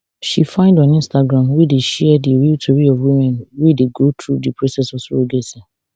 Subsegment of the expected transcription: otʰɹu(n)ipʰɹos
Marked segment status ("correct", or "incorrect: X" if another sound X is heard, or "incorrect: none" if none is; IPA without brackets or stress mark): incorrect: d